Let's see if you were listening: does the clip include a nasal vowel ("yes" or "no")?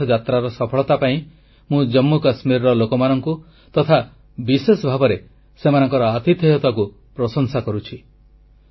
yes